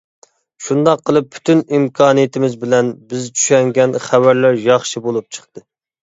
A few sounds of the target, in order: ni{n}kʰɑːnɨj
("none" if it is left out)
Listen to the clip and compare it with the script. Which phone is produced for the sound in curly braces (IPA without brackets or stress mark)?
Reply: m